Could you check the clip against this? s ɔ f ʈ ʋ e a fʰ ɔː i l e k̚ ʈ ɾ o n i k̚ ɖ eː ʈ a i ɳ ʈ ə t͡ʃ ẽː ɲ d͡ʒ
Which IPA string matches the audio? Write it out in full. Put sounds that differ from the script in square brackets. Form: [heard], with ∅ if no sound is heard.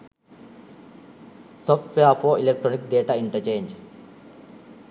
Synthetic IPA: s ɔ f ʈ ʋ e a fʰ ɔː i l e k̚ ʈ ɾ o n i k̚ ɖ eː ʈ a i ɳ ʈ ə t͡ʃ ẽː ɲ d͡ʒ